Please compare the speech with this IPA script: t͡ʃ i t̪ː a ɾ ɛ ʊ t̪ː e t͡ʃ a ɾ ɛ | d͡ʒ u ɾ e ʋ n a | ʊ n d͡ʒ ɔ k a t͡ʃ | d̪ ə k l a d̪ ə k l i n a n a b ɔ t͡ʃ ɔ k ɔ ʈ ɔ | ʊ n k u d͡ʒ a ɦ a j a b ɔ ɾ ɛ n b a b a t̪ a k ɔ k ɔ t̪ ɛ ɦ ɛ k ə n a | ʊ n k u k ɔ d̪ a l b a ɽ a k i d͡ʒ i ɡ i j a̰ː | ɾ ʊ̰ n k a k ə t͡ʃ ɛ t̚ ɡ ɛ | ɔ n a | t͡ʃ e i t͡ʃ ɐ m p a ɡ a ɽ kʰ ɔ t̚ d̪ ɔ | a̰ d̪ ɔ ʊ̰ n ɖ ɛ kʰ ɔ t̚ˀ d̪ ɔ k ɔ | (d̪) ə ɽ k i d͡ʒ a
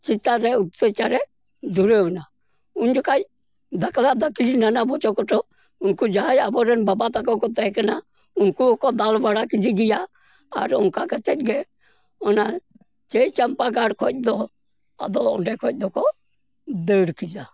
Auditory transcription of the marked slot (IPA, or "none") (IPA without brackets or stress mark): d̪